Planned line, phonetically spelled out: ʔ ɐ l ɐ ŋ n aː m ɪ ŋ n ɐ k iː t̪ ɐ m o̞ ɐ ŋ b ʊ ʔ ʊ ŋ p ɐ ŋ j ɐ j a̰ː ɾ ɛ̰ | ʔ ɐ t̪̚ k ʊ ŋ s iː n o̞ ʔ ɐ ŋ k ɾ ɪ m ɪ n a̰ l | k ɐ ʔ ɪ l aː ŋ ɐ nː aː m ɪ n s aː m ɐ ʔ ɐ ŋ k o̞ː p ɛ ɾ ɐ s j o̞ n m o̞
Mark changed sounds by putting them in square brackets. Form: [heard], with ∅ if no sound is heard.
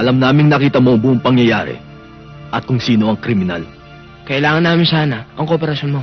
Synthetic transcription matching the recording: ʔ ɐ l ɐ [m] n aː m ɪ ŋ n ɐ k iː t̪ ɐ m o̞ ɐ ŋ b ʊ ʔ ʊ ŋ p ɐ ŋ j ɐ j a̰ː ɾ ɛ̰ | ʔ ɐ t̪̚ k ʊ ŋ s iː n o̞ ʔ ɐ ŋ k ɾ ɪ m ɪ n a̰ l | k ɐ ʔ ɪ l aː ŋ ɐ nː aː m ɪ n s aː [n] ɐ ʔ ɐ ŋ k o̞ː p ɛ ɾ ɐ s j o̞ n m o̞